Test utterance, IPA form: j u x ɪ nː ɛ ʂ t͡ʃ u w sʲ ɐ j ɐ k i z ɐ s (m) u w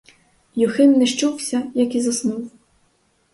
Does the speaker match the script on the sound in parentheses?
no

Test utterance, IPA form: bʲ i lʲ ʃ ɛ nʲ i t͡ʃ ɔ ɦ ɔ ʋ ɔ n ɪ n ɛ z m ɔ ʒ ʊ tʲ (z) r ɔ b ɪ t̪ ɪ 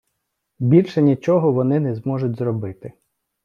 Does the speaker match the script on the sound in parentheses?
yes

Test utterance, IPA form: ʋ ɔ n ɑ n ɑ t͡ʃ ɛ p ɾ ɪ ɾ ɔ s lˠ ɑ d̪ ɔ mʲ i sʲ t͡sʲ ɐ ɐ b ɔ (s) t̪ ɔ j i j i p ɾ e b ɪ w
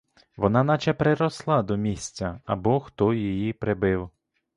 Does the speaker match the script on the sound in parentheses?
no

